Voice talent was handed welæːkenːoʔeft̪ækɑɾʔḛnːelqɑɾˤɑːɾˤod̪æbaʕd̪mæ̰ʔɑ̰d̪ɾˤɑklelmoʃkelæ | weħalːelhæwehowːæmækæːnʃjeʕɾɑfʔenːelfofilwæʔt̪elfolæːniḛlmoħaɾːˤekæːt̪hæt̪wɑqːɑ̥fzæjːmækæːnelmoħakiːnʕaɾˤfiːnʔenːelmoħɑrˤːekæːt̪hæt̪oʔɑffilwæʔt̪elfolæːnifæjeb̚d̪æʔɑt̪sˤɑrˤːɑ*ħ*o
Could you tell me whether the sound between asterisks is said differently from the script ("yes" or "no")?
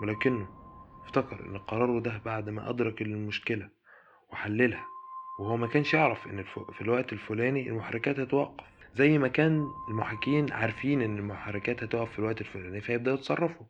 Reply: yes